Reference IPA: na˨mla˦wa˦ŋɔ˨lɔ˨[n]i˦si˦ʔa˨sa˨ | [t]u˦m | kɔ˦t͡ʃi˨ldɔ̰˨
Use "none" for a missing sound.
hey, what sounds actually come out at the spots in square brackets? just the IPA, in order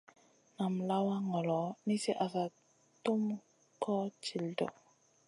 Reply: n, t

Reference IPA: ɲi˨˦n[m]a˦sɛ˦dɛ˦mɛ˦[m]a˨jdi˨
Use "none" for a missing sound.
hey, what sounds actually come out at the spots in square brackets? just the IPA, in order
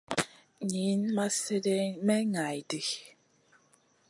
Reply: m, ŋ

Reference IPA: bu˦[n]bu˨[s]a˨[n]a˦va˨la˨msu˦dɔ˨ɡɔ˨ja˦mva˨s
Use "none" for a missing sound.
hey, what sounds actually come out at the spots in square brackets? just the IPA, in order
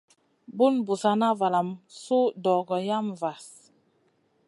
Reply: n, s, n

